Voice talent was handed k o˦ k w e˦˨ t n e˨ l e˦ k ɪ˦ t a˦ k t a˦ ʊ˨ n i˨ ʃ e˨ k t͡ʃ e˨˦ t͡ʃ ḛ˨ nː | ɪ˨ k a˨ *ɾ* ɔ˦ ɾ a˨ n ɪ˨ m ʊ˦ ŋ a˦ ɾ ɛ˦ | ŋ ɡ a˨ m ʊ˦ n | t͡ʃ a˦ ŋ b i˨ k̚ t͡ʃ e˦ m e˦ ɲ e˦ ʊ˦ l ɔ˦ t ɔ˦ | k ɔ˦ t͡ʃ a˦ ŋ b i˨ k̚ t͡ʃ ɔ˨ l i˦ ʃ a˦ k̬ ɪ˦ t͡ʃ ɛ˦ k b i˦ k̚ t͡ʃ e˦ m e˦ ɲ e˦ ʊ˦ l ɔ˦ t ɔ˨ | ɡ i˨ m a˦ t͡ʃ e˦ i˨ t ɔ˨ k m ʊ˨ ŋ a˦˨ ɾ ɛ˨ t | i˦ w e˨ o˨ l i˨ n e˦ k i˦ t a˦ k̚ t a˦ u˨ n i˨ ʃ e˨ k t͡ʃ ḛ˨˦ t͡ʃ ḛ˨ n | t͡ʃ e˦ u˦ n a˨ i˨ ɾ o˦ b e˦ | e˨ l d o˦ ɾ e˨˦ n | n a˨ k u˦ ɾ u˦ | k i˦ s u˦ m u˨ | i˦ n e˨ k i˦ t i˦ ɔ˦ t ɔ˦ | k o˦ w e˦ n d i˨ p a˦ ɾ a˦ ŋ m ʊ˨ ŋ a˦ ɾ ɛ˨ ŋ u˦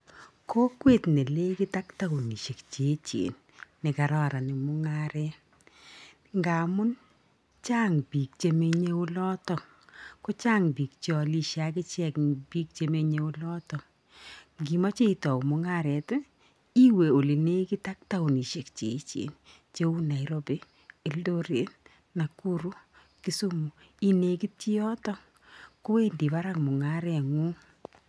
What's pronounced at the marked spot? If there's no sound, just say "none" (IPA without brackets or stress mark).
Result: ɾ